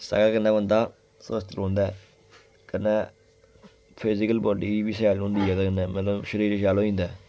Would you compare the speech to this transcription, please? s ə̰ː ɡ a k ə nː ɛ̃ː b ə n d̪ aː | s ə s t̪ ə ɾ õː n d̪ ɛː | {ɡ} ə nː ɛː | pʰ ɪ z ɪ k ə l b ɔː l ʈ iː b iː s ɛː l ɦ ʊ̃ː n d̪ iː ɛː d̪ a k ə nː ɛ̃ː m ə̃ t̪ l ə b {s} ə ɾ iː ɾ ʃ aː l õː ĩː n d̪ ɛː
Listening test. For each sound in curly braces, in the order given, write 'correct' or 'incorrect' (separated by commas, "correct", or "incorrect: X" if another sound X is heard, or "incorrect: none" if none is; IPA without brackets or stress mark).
incorrect: k, incorrect: ʃ